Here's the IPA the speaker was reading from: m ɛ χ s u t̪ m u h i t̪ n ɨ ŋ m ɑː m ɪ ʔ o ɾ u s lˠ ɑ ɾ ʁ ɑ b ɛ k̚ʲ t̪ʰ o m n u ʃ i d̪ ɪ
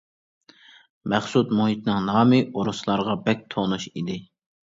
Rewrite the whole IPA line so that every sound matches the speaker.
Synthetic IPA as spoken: m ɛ χ s u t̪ m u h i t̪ n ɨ ŋ n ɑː m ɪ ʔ o ɾ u s lˠ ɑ ɾ ʁ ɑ b ɛ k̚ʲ t̪ʰ o n u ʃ i d̪ ɪ